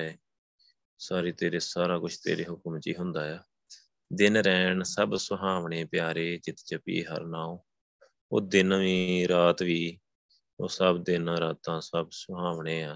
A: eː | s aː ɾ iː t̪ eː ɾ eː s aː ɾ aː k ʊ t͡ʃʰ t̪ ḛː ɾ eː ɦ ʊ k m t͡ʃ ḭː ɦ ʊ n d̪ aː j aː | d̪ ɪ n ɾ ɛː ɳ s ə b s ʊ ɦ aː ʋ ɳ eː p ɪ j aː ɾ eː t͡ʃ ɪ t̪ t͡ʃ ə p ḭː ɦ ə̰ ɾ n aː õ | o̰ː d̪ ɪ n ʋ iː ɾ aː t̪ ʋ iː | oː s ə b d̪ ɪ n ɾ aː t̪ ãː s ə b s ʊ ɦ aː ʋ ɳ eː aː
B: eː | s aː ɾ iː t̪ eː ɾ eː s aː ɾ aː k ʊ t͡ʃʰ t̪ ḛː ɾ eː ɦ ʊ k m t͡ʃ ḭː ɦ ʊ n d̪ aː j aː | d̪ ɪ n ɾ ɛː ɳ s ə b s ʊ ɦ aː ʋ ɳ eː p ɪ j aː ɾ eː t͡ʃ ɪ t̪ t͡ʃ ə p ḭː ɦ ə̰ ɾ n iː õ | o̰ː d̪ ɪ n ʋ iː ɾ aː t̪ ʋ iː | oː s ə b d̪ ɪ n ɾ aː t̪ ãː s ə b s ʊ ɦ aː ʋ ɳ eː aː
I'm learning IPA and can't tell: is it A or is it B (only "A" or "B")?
A